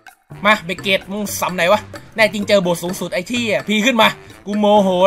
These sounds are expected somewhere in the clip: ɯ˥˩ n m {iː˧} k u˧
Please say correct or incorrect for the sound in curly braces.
incorrect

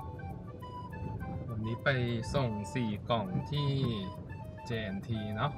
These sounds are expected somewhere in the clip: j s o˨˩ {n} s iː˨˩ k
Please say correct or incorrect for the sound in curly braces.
incorrect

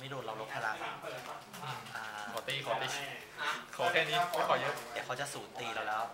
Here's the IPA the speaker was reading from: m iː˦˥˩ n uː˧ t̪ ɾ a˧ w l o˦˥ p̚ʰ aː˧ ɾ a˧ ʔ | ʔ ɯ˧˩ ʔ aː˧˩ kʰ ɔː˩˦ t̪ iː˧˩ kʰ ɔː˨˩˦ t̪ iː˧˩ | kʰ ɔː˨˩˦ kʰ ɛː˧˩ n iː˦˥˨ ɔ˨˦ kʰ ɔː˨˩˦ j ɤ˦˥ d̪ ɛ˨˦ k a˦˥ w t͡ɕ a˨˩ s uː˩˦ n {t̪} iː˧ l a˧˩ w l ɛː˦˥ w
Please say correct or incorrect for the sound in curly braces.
correct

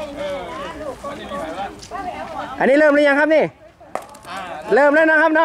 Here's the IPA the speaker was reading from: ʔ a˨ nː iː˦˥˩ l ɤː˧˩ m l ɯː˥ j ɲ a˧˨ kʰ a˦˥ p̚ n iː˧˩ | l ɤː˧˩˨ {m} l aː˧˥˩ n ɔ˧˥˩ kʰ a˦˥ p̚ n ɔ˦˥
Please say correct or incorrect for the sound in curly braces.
correct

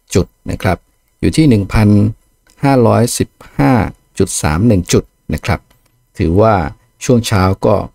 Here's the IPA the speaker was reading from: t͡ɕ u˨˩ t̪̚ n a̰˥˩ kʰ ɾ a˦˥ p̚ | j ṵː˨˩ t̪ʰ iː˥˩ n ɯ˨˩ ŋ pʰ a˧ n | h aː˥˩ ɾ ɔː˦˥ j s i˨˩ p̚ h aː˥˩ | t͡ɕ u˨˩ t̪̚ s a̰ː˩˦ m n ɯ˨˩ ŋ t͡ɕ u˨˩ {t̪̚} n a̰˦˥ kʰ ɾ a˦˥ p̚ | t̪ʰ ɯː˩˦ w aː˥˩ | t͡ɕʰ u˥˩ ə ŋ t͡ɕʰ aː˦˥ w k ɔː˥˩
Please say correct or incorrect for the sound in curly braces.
correct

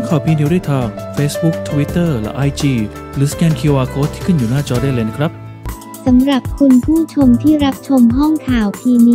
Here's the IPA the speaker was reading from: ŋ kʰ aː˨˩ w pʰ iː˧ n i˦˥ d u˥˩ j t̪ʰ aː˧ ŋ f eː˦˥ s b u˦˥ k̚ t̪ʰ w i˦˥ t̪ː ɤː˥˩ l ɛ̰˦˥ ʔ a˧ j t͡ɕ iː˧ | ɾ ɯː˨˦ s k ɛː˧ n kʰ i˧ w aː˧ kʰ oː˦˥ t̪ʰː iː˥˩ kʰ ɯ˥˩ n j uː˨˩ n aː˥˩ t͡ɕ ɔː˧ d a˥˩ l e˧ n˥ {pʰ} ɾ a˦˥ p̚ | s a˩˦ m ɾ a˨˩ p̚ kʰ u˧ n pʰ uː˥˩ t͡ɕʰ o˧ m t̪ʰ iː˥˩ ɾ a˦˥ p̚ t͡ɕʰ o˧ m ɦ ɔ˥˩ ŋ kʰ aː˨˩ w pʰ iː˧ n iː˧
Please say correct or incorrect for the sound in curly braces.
incorrect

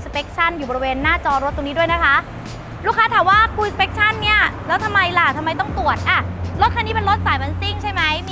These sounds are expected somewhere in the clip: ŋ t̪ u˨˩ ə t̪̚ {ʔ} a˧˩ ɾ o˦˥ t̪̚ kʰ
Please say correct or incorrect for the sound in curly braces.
correct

